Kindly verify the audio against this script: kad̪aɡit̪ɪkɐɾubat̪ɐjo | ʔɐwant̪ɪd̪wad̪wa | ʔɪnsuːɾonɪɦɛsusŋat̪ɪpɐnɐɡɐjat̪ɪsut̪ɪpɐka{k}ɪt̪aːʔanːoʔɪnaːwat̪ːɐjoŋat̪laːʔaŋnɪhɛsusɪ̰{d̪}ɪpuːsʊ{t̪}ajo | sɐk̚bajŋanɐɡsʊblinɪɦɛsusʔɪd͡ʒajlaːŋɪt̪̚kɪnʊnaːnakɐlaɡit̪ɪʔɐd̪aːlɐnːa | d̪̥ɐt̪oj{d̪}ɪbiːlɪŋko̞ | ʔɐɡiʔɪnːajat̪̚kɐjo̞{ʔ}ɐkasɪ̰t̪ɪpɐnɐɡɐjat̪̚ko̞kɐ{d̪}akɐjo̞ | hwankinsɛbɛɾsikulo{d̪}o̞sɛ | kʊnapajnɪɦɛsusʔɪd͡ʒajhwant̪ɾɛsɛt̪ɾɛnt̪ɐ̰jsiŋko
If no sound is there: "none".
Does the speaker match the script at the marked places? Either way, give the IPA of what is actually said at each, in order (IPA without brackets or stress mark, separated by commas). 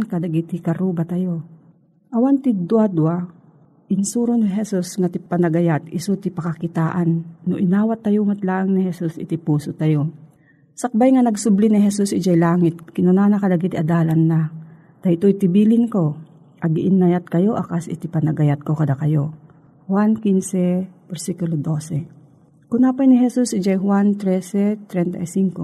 k, t̪, t̪, t̪, ʔ, d̪, d̪